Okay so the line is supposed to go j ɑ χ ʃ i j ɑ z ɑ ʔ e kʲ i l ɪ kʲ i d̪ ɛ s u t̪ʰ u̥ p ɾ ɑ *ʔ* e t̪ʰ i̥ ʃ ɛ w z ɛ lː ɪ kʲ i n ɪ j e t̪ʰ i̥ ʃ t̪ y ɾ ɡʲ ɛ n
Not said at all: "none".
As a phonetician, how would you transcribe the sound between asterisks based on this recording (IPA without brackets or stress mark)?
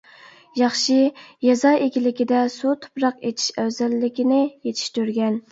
q